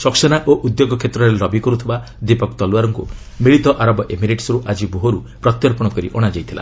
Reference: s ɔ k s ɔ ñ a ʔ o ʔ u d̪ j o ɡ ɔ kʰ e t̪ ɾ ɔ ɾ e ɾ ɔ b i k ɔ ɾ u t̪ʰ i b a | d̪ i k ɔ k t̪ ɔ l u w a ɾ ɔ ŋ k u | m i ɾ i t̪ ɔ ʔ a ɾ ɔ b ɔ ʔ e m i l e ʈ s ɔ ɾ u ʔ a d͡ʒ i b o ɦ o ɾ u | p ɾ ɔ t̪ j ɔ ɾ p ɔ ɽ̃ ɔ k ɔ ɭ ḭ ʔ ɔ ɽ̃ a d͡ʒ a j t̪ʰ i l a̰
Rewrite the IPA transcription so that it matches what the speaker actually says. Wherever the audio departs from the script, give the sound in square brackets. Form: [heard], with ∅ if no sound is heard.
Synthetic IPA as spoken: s ɔ k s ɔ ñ a ʔ o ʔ u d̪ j o ɡ ɔ kʰ e t̪ ɾ ɔ ɾ e ɾ ɔ b i k ɔ ɾ u t̪ʰ i b a | d̪ i [p] ɔ k t̪ ɔ l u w a ɾ ɔ ŋ k u | m i [ɭ] i t̪ ɔ ʔ a ɾ ɔ b ɔ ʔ e m i [ɾ] e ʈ s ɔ ɾ u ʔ a d͡ʒ i b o ɦ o ɾ u | p ɾ ɔ t̪ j ɔ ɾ p ɔ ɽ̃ ɔ k ɔ [ɾ] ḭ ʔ ɔ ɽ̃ a d͡ʒ a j t̪ʰ i l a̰